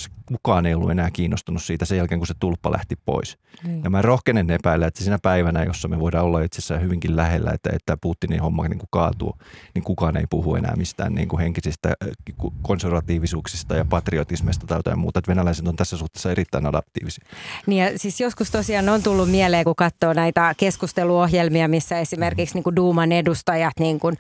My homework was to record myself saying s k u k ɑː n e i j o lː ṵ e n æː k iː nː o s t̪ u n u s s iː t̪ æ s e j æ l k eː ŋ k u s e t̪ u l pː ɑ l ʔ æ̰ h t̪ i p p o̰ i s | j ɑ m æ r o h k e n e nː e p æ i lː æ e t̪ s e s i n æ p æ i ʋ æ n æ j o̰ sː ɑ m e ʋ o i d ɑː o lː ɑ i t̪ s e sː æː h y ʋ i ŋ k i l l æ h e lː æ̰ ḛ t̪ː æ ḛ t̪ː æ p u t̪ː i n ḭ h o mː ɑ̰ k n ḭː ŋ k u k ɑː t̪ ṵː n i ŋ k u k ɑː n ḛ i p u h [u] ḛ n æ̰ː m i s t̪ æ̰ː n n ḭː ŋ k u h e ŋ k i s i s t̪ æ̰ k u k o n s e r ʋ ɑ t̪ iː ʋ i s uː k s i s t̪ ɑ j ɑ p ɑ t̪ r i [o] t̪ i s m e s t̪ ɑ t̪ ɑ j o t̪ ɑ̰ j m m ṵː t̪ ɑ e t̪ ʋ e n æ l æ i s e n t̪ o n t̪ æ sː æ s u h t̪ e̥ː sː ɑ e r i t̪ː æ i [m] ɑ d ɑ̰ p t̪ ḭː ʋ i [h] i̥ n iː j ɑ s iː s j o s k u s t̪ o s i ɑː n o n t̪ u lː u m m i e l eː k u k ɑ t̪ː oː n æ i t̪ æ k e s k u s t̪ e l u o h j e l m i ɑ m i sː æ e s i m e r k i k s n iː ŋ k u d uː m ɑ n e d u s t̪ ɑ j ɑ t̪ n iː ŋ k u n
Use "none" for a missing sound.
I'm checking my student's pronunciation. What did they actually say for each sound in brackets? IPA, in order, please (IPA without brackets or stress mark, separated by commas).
u, o, n, s